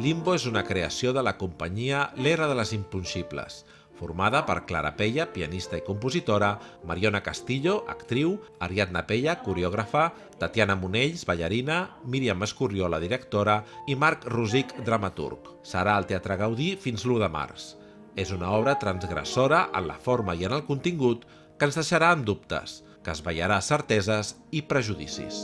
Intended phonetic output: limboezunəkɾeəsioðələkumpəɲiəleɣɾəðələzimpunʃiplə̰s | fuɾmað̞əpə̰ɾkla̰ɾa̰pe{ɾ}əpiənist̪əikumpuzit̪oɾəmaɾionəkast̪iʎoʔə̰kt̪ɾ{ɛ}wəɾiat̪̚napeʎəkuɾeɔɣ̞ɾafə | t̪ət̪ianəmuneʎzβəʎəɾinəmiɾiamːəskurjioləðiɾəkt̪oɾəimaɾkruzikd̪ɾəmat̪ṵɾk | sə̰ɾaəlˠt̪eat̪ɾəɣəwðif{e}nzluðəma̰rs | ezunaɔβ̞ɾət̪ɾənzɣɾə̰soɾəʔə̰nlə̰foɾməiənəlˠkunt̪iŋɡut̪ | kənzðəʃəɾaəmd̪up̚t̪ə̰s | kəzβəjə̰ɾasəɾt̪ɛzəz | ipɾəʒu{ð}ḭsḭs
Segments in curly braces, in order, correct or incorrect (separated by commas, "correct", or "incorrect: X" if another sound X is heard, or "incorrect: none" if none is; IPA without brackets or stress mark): incorrect: ʎ, incorrect: i, incorrect: i, correct